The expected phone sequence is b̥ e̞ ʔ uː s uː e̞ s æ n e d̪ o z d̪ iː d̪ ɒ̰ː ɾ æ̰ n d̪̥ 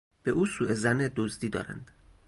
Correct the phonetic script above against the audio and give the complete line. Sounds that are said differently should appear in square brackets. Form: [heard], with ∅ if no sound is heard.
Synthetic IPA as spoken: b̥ e̞ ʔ uː s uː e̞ [z] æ n e d̪ o z d̪ iː d̪ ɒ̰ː ɾ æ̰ n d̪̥